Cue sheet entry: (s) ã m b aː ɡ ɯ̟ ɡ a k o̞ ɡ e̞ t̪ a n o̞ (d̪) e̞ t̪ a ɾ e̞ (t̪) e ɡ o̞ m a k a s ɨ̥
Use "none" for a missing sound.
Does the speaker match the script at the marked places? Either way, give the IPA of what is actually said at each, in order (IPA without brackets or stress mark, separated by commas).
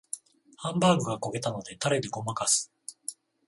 h, d̪, d̪